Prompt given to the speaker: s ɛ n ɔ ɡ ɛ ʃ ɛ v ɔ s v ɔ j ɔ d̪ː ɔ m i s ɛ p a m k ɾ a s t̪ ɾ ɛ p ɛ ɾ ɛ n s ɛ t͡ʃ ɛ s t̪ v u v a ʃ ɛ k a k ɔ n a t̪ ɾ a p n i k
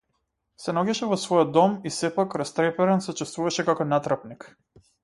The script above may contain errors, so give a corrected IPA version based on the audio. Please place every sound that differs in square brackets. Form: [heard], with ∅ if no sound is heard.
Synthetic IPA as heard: s ɛ n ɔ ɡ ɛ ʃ ɛ v ɔ s v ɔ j ɔ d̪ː ɔ m i s ɛ p a [∅] k ɾ a s t̪ ɾ ɛ p ɛ ɾ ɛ n s ɛ t͡ʃ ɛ s t̪ v u v a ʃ ɛ k a k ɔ n a t̪ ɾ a p n i k